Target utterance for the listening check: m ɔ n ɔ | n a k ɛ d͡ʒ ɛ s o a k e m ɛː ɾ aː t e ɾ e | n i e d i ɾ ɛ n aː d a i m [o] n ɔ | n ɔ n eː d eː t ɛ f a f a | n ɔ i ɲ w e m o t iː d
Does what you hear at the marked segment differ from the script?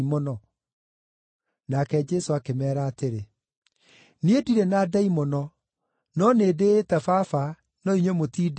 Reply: yes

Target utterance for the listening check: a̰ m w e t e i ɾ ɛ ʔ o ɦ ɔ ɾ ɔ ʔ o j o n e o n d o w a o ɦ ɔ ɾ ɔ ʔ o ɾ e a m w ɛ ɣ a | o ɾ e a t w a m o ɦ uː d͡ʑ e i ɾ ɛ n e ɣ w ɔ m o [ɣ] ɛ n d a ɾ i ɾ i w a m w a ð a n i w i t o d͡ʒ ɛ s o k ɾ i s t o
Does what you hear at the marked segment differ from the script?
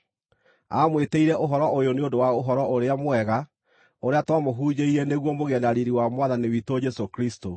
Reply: no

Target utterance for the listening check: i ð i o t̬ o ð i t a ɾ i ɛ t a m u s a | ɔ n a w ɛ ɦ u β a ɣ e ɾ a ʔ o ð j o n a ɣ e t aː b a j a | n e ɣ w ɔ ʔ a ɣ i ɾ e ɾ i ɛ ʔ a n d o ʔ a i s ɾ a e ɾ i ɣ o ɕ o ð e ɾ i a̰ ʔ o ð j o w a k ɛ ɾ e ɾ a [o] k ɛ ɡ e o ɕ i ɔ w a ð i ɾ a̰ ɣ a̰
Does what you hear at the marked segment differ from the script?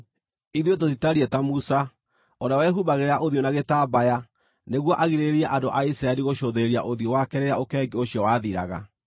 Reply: no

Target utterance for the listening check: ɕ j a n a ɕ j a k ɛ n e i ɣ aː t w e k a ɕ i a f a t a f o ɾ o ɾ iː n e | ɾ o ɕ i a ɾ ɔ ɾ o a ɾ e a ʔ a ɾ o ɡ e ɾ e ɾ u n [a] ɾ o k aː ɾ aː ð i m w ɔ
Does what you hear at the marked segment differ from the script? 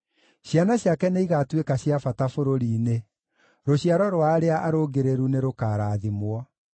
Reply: yes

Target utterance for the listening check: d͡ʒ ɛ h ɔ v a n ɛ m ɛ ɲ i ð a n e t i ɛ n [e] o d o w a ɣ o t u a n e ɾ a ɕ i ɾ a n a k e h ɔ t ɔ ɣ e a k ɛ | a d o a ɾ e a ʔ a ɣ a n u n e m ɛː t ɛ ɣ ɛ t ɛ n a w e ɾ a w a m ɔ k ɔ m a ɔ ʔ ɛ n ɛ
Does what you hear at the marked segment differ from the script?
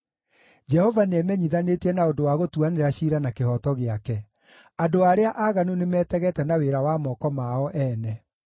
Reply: yes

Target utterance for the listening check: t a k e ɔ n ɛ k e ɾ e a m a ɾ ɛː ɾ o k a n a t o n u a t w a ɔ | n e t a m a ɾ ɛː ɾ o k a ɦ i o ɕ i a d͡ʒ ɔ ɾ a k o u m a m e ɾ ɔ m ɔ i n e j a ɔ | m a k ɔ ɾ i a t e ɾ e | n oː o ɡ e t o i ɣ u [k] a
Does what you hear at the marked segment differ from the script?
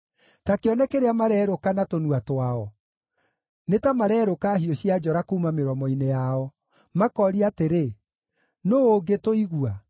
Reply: yes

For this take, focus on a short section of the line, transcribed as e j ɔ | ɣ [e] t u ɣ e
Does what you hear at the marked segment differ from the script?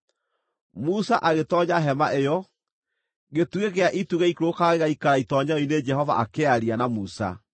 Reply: no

